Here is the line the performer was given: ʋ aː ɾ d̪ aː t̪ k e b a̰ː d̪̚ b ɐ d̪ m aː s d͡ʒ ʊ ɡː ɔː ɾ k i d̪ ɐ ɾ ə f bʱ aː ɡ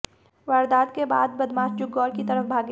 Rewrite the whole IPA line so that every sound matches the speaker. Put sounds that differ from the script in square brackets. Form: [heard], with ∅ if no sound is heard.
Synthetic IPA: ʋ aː ɾ d̪ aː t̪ k e b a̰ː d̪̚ b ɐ d̪ m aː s d͡ʒ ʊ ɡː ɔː ɾ k i [t̪] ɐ ɾ ə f bʱ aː ɡ